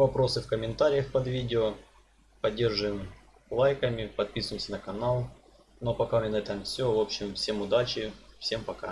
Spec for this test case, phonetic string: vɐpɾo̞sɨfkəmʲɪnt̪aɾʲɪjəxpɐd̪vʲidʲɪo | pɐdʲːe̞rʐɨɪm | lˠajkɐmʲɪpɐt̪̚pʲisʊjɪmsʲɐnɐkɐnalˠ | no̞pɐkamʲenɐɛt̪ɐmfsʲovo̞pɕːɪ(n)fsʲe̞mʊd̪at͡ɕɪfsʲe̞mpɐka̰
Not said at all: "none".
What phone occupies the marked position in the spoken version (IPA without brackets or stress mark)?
m